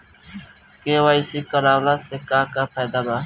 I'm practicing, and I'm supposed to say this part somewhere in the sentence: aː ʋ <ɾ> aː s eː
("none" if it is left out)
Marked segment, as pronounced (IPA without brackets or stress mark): l